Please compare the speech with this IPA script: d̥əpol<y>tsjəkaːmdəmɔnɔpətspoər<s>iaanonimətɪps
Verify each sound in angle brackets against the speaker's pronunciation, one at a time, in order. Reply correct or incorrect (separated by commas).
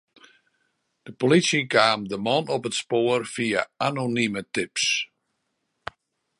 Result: incorrect, incorrect